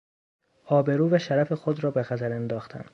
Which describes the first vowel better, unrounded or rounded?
rounded